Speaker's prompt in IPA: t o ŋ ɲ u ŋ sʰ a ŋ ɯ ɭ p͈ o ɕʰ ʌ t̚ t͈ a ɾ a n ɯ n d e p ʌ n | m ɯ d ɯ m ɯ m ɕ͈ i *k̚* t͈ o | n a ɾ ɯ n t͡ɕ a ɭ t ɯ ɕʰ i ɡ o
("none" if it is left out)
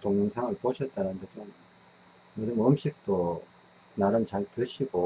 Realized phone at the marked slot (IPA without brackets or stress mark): k̚